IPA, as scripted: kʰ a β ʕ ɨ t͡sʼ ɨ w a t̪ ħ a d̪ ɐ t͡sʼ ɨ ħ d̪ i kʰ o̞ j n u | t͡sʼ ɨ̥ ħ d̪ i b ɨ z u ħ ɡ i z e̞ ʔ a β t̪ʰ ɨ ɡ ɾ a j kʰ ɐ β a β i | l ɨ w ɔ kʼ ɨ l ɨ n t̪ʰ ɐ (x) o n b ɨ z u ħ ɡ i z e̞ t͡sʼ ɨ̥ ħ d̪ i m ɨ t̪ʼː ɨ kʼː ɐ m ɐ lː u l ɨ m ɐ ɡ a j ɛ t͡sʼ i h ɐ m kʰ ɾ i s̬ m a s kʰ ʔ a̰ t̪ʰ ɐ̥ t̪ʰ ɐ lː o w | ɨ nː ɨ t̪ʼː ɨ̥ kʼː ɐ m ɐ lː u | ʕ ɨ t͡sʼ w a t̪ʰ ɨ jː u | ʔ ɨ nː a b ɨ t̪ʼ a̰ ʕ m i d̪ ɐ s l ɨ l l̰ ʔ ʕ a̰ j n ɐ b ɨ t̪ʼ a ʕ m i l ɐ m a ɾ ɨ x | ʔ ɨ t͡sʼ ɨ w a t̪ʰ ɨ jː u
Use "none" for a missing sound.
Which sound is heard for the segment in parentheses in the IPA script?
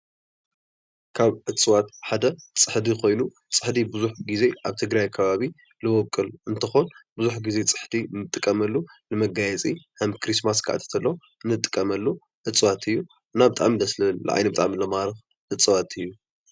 x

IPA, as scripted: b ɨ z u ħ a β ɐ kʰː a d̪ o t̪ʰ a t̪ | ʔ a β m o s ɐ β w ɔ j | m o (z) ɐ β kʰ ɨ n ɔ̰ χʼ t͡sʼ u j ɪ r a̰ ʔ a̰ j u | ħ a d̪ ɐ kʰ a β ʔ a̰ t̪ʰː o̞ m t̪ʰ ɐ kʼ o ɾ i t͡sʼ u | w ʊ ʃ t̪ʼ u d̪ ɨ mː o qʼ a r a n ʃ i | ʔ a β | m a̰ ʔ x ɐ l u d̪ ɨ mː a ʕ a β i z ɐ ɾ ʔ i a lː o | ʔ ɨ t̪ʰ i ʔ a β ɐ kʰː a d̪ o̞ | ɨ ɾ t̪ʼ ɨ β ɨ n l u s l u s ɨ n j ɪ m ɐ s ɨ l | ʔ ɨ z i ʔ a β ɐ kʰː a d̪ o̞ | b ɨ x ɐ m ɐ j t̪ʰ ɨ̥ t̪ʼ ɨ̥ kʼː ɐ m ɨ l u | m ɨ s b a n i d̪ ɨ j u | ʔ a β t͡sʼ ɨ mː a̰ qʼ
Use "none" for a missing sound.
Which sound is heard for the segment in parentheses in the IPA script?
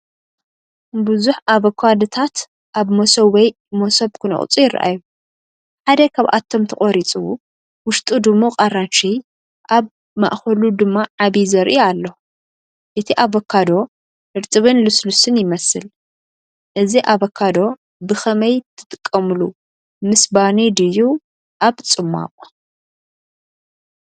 s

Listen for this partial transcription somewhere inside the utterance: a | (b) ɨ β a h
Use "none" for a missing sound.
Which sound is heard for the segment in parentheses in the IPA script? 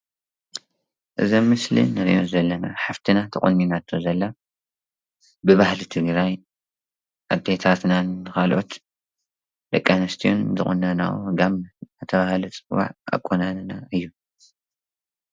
b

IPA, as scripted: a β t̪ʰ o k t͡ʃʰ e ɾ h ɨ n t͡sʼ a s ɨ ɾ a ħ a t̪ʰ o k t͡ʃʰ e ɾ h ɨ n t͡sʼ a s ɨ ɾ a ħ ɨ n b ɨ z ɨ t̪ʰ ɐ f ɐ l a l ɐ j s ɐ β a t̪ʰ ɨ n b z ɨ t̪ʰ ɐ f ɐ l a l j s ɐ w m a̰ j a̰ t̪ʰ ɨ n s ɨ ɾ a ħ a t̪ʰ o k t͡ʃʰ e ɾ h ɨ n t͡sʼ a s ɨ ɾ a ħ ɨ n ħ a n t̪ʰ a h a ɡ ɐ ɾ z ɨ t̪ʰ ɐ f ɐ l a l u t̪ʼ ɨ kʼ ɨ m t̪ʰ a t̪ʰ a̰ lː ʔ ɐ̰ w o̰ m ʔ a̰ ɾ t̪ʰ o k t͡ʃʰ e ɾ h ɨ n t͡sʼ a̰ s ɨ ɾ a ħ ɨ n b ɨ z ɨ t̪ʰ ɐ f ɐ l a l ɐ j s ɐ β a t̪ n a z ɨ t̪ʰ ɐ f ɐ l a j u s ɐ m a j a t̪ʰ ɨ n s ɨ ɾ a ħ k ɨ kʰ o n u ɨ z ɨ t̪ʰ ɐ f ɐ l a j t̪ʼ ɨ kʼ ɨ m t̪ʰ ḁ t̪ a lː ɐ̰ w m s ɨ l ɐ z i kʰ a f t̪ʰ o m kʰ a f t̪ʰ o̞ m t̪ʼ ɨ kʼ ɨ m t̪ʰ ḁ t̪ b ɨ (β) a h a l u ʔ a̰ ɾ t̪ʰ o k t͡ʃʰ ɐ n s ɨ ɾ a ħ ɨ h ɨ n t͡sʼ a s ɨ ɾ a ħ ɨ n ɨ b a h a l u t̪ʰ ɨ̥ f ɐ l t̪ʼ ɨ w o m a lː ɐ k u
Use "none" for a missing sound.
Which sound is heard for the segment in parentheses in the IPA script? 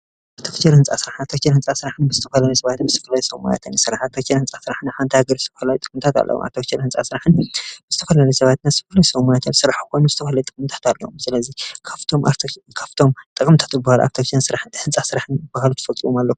b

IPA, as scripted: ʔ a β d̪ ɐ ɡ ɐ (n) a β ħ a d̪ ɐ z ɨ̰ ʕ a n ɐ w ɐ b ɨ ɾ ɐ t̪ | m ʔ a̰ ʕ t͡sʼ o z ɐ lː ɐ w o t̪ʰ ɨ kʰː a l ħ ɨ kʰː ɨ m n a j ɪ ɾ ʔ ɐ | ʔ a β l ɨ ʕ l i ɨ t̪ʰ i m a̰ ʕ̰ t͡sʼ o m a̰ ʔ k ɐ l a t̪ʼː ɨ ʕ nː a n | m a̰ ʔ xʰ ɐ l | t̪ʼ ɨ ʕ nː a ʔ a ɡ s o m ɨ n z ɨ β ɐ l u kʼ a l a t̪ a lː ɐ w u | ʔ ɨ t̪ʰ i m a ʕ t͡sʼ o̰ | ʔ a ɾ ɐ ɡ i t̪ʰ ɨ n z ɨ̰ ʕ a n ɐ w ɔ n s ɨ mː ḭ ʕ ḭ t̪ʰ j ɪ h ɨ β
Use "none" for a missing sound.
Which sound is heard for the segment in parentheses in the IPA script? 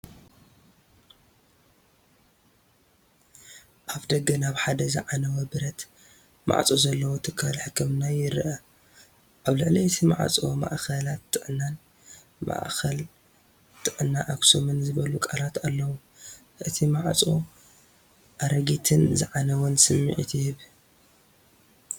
n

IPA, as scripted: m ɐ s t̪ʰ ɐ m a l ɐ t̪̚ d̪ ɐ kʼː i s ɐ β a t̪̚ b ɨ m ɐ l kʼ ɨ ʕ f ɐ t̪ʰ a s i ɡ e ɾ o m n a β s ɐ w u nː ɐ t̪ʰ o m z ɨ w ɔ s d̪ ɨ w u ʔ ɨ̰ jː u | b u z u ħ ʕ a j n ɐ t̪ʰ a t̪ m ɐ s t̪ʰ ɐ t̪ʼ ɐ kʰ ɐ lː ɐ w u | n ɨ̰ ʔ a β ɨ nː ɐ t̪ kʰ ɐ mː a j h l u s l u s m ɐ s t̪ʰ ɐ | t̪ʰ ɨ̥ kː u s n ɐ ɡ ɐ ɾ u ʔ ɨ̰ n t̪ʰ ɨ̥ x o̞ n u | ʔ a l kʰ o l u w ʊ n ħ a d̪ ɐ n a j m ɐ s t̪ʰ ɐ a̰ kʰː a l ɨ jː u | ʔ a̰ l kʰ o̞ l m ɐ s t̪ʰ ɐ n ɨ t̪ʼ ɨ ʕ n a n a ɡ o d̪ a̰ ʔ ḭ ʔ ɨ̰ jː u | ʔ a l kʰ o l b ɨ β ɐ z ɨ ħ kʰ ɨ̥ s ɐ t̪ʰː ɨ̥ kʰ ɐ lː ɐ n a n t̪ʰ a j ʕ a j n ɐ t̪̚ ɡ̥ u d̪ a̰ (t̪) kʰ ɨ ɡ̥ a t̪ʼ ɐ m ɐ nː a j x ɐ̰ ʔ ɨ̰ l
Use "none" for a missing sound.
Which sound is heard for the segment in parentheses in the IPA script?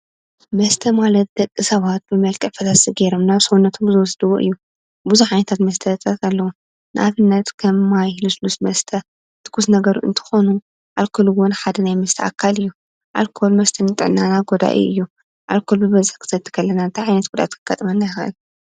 t̪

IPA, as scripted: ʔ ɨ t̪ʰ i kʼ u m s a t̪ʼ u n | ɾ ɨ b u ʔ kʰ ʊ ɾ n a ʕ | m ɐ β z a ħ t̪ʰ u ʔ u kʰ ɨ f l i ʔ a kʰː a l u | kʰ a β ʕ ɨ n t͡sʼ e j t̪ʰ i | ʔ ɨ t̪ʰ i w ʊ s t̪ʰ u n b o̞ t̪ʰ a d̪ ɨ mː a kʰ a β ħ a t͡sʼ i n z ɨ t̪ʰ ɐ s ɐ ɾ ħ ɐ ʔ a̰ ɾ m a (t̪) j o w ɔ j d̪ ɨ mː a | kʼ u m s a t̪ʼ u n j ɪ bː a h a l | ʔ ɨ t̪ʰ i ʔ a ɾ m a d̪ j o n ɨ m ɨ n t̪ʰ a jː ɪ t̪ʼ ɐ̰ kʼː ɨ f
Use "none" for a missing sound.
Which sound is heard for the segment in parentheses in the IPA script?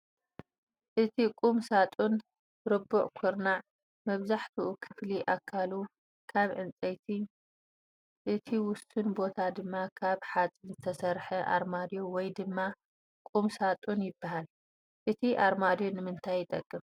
d̪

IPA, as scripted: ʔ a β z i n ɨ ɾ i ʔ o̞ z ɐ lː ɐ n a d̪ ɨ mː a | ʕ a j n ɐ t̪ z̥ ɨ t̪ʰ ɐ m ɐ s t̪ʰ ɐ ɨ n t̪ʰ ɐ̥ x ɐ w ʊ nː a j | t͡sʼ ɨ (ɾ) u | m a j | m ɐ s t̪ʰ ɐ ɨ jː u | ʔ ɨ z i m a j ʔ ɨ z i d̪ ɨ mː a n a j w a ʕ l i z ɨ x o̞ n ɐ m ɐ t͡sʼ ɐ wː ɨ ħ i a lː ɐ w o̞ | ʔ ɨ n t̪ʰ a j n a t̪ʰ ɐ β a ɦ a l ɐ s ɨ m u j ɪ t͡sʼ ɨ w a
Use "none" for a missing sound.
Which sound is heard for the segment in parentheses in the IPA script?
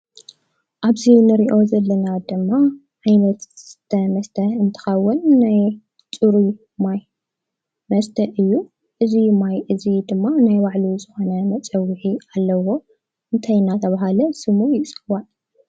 ɾ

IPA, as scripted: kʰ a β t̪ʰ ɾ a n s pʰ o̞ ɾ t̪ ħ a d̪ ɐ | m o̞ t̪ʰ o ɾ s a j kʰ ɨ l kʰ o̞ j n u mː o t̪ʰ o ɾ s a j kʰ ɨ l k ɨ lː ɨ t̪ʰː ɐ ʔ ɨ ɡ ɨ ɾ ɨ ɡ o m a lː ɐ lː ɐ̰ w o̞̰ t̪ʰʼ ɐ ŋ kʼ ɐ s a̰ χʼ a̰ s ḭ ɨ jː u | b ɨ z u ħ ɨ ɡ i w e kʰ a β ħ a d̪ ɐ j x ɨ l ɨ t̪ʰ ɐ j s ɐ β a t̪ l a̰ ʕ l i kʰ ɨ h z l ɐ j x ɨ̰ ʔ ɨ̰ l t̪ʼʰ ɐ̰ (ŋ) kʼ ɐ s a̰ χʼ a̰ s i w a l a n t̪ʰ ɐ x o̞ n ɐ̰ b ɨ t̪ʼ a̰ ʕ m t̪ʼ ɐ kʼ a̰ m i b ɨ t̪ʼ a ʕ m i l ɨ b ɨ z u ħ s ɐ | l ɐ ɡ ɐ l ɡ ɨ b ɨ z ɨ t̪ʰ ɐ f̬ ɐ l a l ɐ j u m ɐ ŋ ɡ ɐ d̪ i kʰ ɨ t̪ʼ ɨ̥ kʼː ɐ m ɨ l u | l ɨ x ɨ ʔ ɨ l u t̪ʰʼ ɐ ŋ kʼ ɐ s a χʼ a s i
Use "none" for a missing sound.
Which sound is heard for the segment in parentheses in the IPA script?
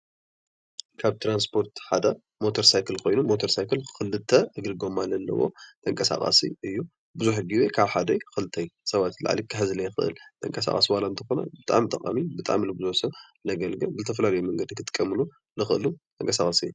ŋ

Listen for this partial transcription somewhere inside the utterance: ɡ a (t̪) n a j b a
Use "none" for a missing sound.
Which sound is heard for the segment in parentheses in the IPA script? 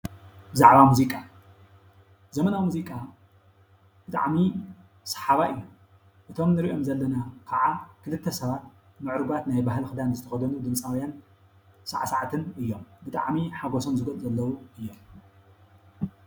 t̪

